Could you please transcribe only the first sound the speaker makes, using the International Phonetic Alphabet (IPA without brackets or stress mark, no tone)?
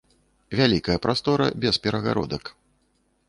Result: vʲ